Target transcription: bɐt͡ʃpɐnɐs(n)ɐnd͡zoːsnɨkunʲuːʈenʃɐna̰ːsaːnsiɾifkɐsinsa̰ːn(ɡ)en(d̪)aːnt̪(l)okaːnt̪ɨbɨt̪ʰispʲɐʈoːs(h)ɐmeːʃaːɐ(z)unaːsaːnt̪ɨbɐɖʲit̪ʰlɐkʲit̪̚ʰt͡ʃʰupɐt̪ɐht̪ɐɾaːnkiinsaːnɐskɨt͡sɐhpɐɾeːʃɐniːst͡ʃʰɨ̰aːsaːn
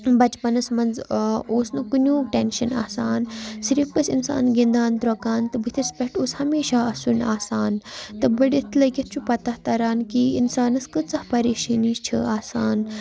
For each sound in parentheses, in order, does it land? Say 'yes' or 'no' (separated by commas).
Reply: no, yes, yes, no, yes, no